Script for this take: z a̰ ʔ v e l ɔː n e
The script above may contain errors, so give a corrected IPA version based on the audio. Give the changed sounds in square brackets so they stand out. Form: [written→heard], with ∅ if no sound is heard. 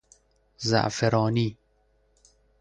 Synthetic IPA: z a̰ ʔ [v→f] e [l→ɾ] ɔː n [e→i]